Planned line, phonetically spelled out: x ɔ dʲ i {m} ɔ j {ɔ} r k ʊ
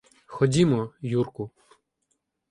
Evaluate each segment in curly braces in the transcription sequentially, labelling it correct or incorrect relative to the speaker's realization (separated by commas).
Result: correct, incorrect